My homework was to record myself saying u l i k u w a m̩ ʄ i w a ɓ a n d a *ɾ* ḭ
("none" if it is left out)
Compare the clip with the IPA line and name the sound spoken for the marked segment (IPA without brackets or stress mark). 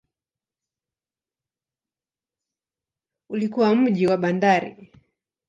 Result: ɾ